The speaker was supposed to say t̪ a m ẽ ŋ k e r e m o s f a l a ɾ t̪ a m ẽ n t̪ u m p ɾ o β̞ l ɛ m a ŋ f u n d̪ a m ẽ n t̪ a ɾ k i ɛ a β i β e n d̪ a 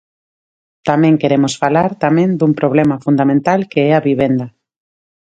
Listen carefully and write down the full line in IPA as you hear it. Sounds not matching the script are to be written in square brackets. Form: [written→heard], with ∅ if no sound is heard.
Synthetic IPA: t̪ a m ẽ ŋ k e [r→ɾ] e m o s f a l a ɾ t̪ a m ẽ n [t̪→d̪] u m p ɾ o β̞ l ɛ m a [ŋ→∅] f u n d̪ a m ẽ n t̪ a [ɾ→l] k [i→e] ɛ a β i β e n d̪ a